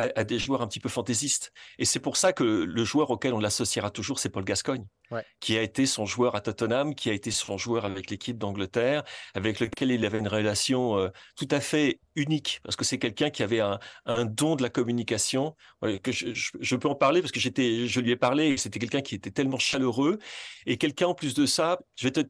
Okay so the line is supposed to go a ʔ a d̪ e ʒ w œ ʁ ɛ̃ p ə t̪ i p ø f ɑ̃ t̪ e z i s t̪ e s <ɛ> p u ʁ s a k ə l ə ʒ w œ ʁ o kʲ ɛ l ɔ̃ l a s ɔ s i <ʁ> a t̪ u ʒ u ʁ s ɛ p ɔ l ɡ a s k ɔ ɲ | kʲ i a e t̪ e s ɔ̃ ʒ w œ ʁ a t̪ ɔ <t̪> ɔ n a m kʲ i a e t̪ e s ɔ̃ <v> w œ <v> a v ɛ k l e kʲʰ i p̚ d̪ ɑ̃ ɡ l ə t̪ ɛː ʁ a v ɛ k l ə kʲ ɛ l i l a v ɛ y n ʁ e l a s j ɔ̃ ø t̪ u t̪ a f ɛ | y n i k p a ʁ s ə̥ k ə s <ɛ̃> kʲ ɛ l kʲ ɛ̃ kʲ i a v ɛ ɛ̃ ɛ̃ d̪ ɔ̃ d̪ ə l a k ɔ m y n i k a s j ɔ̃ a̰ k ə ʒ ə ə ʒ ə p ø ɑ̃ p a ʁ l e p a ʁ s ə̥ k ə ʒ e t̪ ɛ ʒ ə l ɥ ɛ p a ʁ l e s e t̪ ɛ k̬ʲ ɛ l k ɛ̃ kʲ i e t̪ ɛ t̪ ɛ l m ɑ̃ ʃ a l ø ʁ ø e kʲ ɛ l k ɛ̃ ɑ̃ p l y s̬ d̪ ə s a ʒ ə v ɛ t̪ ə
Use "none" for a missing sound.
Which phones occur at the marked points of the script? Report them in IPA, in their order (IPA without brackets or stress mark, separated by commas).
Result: ɛ, ʁ, t̪, ʒ, ʁ, ɛ